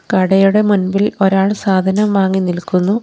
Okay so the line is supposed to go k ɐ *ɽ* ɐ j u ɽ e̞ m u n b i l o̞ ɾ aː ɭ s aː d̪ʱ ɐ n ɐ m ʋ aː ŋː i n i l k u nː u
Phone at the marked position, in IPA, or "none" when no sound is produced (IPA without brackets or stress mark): ɽ